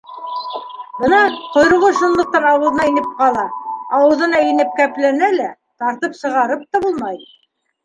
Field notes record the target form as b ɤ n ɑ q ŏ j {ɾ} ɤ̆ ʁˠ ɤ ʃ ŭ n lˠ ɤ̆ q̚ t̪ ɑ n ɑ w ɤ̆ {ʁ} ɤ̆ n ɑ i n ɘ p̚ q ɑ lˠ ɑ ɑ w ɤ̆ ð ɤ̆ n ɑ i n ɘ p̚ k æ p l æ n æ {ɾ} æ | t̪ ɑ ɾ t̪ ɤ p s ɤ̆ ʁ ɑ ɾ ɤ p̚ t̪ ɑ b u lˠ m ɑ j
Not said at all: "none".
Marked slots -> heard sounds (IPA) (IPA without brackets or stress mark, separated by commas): ɾ, ð, l